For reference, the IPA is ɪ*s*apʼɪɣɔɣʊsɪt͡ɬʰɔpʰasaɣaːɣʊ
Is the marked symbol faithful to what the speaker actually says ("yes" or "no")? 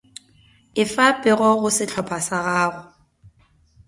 no